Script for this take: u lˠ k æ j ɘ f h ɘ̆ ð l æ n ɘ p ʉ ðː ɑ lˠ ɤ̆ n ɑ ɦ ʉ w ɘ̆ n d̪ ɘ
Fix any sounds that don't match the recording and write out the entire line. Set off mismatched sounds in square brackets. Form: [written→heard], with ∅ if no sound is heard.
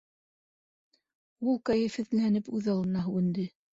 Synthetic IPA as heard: u lˠ k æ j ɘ f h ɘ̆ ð l æ n ɘ p ʉ [ðː→ð] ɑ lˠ ɤ̆ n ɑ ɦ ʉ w ɘ̆ n d̪ ɘ